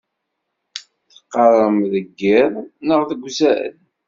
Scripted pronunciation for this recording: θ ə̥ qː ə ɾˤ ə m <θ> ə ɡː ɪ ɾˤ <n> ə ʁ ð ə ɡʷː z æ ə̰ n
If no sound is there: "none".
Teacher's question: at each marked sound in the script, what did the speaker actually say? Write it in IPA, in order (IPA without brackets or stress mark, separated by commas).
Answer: ð, n